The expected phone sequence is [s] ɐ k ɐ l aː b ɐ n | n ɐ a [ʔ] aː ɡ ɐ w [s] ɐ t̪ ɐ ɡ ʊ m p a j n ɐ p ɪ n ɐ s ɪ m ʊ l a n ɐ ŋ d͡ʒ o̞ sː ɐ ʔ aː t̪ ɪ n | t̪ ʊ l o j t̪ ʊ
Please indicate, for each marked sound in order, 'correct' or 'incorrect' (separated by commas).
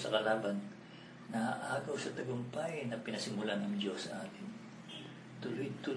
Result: correct, correct, correct